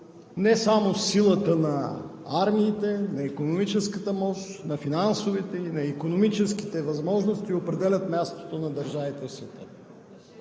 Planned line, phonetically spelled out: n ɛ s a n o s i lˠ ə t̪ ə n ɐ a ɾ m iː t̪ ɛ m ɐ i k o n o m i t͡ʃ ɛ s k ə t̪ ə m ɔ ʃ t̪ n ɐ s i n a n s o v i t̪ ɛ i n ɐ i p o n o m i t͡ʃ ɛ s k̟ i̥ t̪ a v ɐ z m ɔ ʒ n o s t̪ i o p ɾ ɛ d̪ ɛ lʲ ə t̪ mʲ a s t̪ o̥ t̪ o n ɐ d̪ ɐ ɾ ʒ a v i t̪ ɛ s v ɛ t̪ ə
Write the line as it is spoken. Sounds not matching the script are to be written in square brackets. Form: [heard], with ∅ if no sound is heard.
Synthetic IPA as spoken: n ɛ s a [m] o s i lˠ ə t̪ ə n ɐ a ɾ m iː t̪ ɛ [n] ɐ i k o n o m i t͡ʃ ɛ s k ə t̪ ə m ɔ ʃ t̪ n ɐ [f] i n a n s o v i t̪ ɛ i n ɐ i [k] o n o m i t͡ʃ ɛ s k̟ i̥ t̪ [ɛ] v ɐ z m ɔ ʒ n o s t̪ i o p ɾ ɛ d̪ ɛ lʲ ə t̪ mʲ a s t̪ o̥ t̪ o n ɐ d̪ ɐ ɾ ʒ a v i t̪ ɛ s v ɛ t̪ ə